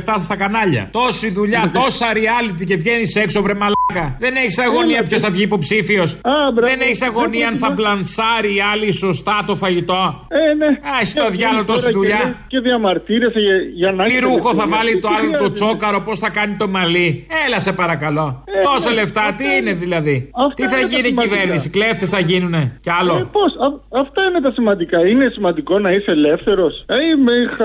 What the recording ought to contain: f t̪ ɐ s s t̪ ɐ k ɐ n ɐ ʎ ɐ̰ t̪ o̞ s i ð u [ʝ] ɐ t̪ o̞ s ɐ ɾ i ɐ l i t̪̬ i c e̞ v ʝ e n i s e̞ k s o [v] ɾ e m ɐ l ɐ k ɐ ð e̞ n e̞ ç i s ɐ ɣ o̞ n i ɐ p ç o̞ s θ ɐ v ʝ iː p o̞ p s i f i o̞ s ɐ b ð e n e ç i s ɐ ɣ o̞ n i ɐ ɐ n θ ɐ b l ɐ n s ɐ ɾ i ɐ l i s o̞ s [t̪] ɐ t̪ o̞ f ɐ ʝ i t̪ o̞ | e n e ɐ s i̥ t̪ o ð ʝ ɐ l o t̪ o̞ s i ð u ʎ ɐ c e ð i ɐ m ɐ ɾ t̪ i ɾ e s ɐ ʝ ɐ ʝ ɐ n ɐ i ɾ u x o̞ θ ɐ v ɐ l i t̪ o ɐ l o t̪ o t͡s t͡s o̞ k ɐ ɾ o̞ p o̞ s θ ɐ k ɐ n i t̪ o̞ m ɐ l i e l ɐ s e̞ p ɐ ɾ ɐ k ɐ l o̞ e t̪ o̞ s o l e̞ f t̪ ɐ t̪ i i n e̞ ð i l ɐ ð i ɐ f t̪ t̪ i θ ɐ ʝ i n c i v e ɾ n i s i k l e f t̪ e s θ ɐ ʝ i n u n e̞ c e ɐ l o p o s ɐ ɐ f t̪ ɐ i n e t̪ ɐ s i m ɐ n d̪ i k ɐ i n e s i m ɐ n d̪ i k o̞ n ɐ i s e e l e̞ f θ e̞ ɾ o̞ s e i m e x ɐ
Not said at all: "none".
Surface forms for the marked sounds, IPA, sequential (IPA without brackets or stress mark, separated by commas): ʎ, v, t̪